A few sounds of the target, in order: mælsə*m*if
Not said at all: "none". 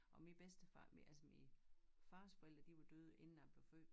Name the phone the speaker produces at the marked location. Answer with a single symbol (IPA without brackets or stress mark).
m